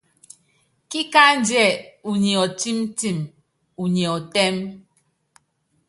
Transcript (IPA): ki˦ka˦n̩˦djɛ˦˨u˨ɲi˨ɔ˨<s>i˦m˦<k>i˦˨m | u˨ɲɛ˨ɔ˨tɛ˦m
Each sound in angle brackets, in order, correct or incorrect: incorrect, incorrect

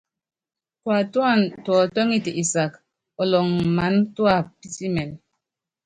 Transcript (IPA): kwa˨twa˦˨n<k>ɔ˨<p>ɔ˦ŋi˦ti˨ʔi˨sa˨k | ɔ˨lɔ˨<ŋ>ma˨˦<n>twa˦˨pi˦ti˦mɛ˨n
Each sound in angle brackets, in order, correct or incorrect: incorrect, incorrect, correct, correct

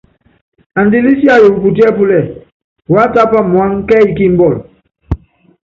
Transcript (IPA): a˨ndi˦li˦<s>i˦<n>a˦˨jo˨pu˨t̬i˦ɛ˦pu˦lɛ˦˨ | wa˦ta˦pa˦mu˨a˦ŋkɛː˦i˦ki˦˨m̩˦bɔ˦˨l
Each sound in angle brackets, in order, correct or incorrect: correct, incorrect

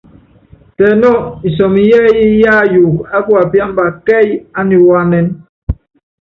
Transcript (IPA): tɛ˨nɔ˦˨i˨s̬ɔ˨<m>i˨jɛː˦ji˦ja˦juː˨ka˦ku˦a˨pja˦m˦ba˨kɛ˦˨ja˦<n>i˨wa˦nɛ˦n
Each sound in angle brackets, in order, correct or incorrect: correct, correct

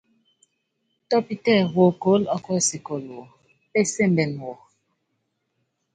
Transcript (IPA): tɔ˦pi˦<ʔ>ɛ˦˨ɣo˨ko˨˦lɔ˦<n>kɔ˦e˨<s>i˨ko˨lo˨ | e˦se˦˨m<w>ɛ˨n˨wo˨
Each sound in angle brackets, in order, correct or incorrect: incorrect, incorrect, correct, incorrect

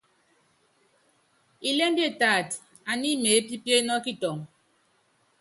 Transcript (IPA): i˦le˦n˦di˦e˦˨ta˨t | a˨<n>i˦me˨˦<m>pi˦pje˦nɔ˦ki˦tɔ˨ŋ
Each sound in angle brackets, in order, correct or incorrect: correct, incorrect

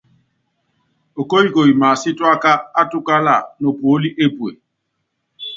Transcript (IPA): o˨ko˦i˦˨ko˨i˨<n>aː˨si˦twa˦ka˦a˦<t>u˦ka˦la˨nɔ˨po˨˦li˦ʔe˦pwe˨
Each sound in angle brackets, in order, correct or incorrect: incorrect, correct

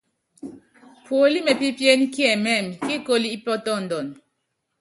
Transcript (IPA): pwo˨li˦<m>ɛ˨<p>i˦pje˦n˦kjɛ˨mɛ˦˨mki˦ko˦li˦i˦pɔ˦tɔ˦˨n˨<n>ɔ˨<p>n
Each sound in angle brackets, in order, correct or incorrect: correct, correct, incorrect, incorrect

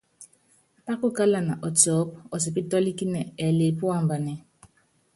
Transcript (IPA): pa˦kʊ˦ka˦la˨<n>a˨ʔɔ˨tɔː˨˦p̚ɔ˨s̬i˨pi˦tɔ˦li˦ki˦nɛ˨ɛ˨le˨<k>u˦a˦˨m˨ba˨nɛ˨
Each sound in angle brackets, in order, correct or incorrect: correct, incorrect

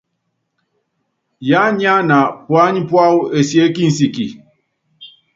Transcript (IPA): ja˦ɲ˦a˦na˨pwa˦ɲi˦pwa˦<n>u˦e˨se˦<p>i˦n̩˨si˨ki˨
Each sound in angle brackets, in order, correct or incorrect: incorrect, incorrect

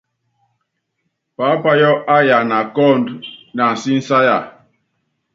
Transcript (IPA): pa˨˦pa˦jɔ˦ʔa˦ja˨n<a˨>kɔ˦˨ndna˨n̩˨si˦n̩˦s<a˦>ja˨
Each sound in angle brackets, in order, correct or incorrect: correct, correct

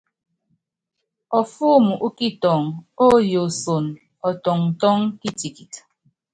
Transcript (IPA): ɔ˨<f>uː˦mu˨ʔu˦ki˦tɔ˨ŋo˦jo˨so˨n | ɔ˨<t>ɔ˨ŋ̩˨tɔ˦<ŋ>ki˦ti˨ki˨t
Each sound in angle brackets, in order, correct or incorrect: correct, correct, correct

